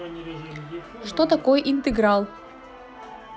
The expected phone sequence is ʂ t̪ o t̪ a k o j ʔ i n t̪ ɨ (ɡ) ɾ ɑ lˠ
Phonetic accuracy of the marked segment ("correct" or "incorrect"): correct